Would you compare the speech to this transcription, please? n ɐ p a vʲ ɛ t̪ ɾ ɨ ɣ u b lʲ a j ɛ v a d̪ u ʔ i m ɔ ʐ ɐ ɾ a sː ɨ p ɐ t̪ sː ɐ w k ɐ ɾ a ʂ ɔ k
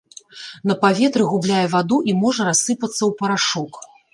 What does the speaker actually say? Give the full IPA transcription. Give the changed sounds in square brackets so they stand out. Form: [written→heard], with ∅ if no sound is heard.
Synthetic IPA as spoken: n ɐ p a vʲ ɛ t̪ ɾ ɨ ɣ u b lʲ a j ɛ v a d̪ u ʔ i m ɔ ʐ ɐ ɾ a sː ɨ p ɐ t̪ sː ɐ w [k→p] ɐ ɾ a ʂ ɔ k

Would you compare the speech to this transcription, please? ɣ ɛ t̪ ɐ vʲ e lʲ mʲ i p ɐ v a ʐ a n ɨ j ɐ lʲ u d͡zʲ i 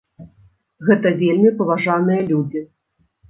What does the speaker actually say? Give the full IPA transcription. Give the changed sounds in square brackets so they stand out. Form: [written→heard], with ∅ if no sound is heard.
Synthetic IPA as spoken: ɣ ɛ t̪ ɐ vʲ e lʲ mʲ i p ɐ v a ʐ a n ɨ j ɐ lʲ u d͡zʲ i

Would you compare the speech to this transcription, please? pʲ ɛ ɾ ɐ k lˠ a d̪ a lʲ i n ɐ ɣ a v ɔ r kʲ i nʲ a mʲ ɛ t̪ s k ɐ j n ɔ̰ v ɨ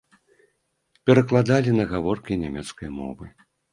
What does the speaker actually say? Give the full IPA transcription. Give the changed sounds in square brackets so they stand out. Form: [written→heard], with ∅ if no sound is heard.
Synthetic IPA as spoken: pʲ ɛ ɾ ɐ k lˠ a d̪ a lʲ i n ɐ ɣ a v ɔ r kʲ i nʲ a mʲ ɛ t̪ s k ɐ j [n→m] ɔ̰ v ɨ

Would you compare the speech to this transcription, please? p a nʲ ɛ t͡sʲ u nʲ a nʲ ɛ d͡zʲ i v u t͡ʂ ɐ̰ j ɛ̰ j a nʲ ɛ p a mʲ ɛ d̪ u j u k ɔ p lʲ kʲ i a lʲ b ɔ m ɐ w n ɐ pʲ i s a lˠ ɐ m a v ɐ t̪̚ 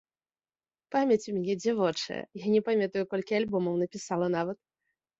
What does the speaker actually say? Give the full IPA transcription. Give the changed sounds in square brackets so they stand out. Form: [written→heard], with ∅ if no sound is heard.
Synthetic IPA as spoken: p a [nʲ→mʲ] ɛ t͡sʲ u [nʲ→mʲ] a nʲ ɛ d͡zʲ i v [u→ɔ] t͡ʂ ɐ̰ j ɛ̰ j a nʲ ɛ p a mʲ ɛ [d̪→t̪] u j u k ɔ [p→∅] lʲ kʲ i a lʲ b ɔ m ɐ w n ɐ pʲ i s a lˠ ɐ [m→n] a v ɐ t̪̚

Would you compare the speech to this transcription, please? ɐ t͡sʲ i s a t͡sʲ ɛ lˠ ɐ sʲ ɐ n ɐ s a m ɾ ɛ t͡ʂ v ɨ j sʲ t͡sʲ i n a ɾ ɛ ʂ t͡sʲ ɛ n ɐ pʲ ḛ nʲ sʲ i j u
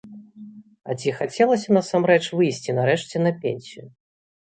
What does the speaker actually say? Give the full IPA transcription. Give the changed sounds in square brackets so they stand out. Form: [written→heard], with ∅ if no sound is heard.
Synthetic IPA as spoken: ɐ t͡sʲ i [s→x] a t͡sʲ ɛ lˠ ɐ sʲ ɐ n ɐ s a m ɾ ɛ t͡ʂ v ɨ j sʲ t͡sʲ i n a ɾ ɛ ʂ t͡sʲ ɛ n ɐ pʲ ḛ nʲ sʲ i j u

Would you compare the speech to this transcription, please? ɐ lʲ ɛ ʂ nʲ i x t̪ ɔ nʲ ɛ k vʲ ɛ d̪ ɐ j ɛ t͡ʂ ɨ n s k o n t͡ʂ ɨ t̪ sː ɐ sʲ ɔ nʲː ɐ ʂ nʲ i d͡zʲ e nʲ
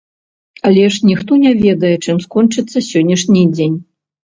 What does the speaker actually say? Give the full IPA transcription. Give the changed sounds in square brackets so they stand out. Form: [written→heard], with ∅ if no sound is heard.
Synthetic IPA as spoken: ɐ lʲ ɛ ʂ nʲ i x t̪ ɔ nʲ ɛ [k→∅] vʲ ɛ d̪ ɐ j ɛ t͡ʂ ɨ [n→m] s k [o→ɔ] n t͡ʂ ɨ t̪ sː ɐ sʲ ɔ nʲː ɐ ʂ nʲ i d͡zʲ e nʲ

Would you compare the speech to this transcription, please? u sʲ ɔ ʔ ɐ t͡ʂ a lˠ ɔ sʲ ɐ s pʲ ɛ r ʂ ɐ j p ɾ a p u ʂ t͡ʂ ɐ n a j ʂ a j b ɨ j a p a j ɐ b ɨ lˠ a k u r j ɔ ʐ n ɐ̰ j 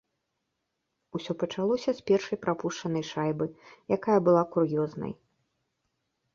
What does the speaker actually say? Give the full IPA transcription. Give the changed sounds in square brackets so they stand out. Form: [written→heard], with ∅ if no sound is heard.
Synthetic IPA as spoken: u sʲ ɔ [ʔ→p] ɐ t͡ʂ a lˠ ɔ sʲ ɐ s pʲ ɛ r ʂ ɐ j p ɾ a p u ʂ t͡ʂ ɐ n [a→ɐ] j ʂ a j b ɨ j a [p→k] a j ɐ b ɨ lˠ a k u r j ɔ [ʐ→z] n ɐ̰ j

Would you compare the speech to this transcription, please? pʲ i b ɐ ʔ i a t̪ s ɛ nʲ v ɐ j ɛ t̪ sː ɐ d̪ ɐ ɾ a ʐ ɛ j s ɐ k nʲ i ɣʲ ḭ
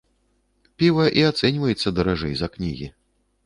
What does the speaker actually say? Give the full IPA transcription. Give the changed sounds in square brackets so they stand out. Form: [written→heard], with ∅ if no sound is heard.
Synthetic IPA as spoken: pʲ i [b→v] ɐ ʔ i a t̪ s ɛ nʲ v ɐ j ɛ t̪ sː ɐ d̪ ɐ ɾ a ʐ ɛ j [s→z] ɐ k nʲ i ɣʲ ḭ

